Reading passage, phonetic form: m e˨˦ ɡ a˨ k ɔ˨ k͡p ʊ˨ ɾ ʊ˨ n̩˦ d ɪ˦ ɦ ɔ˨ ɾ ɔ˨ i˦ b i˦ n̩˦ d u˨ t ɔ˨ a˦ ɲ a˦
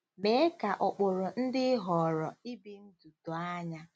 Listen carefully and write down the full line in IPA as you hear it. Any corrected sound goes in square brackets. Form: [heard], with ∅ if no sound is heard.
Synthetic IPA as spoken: m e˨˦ [k] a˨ [ʔ] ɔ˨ k͡p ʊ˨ ɾ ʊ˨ n̩˦ d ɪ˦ ɦ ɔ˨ ɾ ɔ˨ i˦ b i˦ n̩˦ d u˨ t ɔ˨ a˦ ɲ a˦